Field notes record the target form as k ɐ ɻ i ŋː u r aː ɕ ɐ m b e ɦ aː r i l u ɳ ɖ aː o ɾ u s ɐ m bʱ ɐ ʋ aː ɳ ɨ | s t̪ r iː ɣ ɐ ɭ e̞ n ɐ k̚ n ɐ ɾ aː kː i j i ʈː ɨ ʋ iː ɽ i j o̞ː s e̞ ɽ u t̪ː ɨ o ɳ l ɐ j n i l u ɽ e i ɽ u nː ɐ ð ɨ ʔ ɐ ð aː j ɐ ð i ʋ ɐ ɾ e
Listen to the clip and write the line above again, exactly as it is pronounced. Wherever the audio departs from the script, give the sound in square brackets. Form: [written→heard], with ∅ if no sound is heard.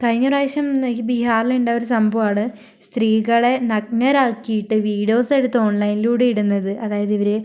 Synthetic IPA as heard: k ɐ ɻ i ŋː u r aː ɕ ɐ m b [e→i] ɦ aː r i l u ɳ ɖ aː o ɾ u s ɐ m bʱ ɐ ʋ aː ɳ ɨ | s t̪ r iː ɣ ɐ ɭ e̞ n ɐ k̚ n ɐ ɾ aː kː i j i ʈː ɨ ʋ iː ɽ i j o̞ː s e̞ ɽ u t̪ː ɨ o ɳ l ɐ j n i l [u→uː] ɽ e i ɽ u nː ɐ ð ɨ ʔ ɐ ð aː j ɐ ð i ʋ ɐ ɾ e

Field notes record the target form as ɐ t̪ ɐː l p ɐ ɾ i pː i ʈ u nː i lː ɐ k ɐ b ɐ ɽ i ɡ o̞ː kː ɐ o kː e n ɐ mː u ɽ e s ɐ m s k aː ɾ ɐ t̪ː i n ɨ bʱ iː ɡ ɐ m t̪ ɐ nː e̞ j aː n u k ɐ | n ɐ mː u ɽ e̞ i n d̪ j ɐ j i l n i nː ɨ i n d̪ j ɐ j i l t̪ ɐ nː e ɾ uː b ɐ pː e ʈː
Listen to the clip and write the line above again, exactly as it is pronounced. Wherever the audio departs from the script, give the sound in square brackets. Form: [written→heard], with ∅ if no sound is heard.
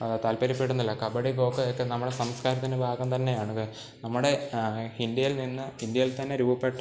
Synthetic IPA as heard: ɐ t̪ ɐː l p ɐ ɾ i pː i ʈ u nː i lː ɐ k ɐ b ɐ ɽ i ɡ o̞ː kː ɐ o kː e n ɐ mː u ɽ e s ɐ m s k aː ɾ ɐ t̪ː i n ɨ bʱ [iː→aː] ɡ ɐ m t̪ ɐ nː e̞ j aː [n→ɳ] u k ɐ | n ɐ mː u ɽ e̞ i n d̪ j ɐ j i l n i nː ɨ i n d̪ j ɐ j i l t̪ ɐ nː e ɾ uː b ɐ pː e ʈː

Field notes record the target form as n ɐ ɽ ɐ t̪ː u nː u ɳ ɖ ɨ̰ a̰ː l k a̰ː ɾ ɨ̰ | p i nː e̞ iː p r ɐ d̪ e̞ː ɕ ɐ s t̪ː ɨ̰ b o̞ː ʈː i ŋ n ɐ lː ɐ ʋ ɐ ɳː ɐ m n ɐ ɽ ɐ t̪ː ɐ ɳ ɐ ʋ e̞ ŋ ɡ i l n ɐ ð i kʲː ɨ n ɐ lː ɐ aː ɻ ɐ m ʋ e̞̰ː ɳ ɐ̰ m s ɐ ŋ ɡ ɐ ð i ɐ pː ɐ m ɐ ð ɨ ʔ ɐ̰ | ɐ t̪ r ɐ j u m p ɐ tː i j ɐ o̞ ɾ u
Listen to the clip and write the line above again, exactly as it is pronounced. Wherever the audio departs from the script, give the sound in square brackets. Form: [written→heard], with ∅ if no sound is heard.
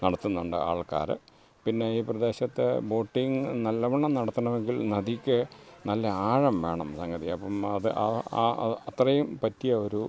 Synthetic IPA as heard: n ɐ ɽ ɐ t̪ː u nː u ɳ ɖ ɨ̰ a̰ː [l→ɭ] k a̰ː ɾ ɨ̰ | p i nː e̞ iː p r ɐ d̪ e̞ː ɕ ɐ [s→∅] t̪ː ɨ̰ b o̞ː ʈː i ŋ n ɐ lː ɐ ʋ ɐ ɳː ɐ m n ɐ ɽ ɐ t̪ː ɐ ɳ ɐ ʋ e̞ ŋ ɡ i l n ɐ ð i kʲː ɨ n ɐ lː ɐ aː ɻ ɐ m ʋ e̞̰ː ɳ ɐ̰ m s ɐ ŋ ɡ ɐ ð i ɐ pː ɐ m ɐ ð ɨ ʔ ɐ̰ | ɐ t̪ r ɐ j u m p ɐ tː i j ɐ o̞ ɾ u

